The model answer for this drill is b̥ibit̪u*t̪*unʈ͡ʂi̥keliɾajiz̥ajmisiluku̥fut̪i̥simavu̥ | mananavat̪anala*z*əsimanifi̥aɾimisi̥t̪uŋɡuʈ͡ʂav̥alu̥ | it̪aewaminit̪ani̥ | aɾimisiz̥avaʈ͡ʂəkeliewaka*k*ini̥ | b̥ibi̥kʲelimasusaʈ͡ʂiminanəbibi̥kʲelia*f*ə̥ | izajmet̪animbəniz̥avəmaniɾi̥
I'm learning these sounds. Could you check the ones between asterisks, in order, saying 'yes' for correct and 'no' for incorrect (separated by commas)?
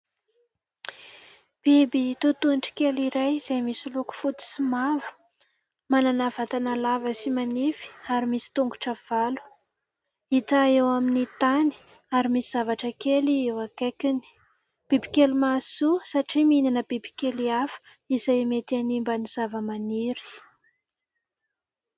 yes, no, yes, yes